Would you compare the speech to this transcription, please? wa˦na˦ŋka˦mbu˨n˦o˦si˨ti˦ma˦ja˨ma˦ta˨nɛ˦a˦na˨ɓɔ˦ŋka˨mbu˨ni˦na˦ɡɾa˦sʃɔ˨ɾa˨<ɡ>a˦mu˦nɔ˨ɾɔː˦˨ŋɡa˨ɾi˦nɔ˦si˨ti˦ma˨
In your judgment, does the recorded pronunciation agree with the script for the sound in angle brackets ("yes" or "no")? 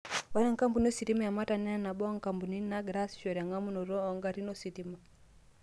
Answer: no